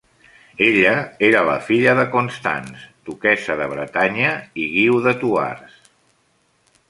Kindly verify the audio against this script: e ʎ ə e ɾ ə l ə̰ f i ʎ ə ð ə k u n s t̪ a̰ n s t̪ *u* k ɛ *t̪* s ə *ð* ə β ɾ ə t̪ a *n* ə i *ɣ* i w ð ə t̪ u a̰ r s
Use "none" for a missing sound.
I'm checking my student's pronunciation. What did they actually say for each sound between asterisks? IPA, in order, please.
u, none, ð, ɲ, ɣ

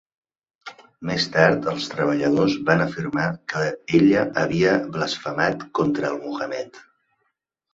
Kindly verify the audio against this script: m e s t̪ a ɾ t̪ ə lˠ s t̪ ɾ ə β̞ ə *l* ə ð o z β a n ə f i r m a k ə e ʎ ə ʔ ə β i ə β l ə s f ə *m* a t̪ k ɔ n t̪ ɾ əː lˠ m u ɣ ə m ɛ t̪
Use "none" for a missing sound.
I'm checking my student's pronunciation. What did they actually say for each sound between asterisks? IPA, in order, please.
ʎ, m

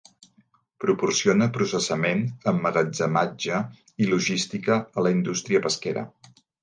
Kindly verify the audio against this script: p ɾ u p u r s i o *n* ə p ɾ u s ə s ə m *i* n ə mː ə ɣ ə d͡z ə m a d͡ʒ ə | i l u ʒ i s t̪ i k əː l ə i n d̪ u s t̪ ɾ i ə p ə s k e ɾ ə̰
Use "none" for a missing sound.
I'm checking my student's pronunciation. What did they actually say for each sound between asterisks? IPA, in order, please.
n, e

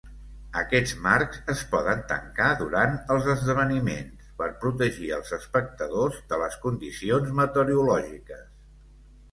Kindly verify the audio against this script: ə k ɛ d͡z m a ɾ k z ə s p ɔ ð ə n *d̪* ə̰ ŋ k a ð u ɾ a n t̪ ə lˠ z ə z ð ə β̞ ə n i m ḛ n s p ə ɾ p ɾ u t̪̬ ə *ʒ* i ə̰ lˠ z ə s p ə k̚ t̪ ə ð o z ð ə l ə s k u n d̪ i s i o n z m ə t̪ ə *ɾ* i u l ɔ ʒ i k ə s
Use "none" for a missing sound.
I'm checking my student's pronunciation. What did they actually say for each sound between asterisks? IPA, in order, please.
t̪, ʒ, ɾ

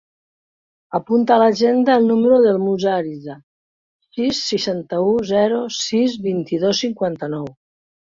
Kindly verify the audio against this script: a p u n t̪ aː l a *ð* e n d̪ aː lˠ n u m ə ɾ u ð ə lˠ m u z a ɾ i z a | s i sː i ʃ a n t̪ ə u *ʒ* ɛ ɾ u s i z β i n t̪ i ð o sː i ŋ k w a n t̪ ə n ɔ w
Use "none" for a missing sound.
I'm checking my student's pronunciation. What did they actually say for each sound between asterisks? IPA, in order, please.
ʒ, z

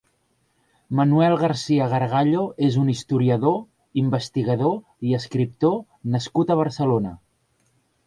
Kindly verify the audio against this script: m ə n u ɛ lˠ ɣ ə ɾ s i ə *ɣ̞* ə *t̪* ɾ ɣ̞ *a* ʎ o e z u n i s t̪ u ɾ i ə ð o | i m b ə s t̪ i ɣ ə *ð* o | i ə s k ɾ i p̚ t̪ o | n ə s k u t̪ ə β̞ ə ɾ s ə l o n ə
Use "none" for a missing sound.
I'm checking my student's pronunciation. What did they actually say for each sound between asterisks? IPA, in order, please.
ɣ̞, none, a, ð

